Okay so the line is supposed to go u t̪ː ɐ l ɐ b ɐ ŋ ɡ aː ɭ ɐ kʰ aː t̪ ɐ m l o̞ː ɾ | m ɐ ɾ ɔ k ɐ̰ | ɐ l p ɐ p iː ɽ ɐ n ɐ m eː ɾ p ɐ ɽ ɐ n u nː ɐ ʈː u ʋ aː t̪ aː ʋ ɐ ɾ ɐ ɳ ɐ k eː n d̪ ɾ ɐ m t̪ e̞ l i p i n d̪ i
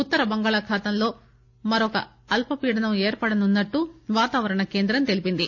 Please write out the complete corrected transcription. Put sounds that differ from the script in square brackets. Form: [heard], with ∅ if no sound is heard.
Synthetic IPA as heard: u t̪ː ɐ [ɾ] ɐ b ɐ ŋ ɡ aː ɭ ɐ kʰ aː t̪ ɐ m l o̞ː [∅] | m ɐ ɾ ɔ k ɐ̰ | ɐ l p ɐ p iː ɽ ɐ n ɐ m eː ɾ p ɐ ɽ ɐ n u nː ɐ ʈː u ʋ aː t̪ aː ʋ ɐ ɾ ɐ ɳ ɐ k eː n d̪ ɾ ɐ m t̪ e̞ l i p i n d̪ i